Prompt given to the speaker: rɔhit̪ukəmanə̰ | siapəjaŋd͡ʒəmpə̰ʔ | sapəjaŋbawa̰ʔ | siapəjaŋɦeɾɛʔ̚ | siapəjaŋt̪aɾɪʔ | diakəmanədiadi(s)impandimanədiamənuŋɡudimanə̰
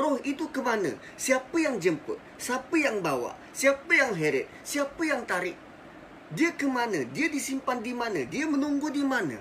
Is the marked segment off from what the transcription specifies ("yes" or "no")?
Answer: no